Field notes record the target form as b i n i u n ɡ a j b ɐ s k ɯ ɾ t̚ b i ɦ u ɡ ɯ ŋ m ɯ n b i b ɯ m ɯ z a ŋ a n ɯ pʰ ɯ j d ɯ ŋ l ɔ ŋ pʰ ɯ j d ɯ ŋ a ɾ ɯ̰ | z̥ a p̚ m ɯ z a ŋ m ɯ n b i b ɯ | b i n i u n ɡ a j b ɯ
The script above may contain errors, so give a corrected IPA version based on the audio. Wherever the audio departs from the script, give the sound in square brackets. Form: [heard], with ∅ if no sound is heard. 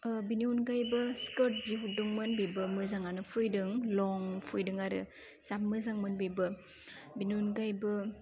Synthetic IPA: b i n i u n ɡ a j b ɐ s k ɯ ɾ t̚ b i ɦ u [d] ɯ ŋ m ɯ n b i b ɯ m ɯ z a ŋ a n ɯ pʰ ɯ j d ɯ ŋ l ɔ ŋ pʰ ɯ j d ɯ ŋ a ɾ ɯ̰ | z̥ a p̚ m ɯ z a ŋ m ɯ n b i b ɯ | b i n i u n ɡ a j b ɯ